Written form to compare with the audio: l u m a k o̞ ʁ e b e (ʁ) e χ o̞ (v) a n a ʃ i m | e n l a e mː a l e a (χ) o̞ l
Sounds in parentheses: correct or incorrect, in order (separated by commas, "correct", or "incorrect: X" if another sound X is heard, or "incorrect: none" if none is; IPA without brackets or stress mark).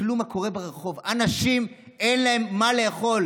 correct, correct, correct